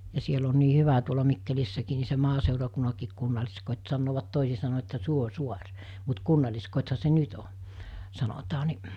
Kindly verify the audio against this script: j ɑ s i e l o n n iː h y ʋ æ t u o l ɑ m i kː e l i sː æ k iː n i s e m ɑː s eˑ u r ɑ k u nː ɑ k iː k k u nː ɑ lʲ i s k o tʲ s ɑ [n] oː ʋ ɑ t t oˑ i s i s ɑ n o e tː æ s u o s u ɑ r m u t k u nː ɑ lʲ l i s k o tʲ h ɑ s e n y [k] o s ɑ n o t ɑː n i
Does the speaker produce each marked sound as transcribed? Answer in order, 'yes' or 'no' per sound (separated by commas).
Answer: no, no